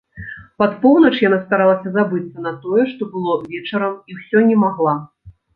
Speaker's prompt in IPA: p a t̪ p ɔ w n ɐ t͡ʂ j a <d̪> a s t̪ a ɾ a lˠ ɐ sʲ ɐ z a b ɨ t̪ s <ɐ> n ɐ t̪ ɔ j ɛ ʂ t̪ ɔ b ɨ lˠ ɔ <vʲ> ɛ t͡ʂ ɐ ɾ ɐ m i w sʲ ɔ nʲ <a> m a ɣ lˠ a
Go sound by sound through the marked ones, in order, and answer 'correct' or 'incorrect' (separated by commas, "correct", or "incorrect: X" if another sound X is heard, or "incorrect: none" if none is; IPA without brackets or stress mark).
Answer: incorrect: n̪, correct, correct, incorrect: ɛ